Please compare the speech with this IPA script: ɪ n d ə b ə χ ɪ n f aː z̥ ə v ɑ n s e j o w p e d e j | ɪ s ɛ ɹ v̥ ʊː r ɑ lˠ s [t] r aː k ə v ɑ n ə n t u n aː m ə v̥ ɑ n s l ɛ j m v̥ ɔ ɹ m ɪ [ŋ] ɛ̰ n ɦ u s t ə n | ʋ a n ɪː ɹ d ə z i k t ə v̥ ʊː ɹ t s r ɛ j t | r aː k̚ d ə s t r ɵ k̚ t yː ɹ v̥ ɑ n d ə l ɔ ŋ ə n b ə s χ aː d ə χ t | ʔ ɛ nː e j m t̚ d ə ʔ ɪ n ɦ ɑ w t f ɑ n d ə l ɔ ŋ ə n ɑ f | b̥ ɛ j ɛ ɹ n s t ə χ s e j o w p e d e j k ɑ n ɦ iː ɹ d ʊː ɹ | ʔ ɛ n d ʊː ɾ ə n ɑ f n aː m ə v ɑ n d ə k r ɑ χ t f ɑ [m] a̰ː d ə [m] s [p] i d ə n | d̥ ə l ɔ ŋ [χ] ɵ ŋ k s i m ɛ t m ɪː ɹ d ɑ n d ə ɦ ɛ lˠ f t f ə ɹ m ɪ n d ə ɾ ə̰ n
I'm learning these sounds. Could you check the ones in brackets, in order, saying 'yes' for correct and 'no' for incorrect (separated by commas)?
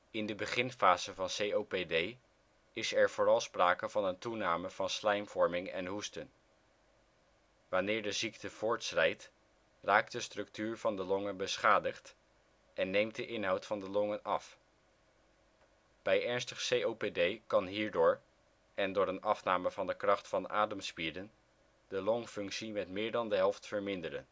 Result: no, yes, no, yes, yes, no